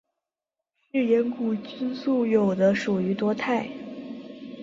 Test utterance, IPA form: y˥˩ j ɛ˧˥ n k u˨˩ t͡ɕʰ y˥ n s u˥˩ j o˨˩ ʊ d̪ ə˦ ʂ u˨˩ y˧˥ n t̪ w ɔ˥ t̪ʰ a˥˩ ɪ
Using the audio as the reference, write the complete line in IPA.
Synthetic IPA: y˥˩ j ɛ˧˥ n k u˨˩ t͡ɕ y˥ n s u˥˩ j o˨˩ ʊ d̪ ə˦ ʂ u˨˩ y˧˥ t̪ w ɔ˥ t̪ʰ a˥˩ ɪ